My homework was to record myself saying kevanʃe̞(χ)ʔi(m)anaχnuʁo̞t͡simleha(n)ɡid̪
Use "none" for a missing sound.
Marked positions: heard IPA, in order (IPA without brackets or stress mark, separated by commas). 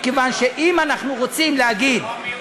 none, m, none